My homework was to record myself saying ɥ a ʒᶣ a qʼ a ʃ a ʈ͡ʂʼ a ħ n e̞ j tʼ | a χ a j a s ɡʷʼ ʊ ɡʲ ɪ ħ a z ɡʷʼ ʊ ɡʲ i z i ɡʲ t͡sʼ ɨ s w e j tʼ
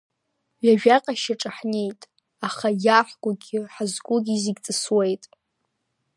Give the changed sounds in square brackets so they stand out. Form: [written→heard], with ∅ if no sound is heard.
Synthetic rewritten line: ɥ a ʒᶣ a qʼ a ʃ a ʈ͡ʂʼ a ħ n e̞ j tʼ | a χ a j a [s→ħ] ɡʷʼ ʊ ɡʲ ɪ ħ a z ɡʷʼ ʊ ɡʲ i z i ɡʲ t͡sʼ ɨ s w e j tʼ